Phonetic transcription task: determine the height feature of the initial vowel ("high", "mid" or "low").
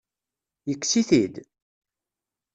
mid